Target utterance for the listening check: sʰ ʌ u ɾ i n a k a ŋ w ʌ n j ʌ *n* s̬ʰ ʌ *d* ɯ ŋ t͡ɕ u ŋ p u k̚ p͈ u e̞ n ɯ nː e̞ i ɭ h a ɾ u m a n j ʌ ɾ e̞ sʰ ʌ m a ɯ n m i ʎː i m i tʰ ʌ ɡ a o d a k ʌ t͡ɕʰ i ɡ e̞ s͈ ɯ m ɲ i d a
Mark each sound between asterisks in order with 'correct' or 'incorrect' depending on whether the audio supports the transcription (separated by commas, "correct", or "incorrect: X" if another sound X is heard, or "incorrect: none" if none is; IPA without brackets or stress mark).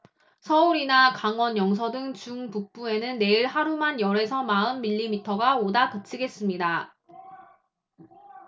incorrect: ŋ, correct